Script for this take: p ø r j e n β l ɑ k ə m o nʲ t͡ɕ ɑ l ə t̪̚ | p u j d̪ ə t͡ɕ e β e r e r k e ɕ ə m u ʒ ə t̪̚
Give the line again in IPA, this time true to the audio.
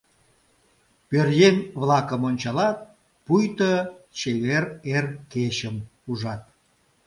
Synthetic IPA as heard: p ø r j e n β l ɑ k ə m o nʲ t͡ɕ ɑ l ɑ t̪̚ | p u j t̪ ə t͡ɕ e β e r e r k e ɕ ə m u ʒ ɑ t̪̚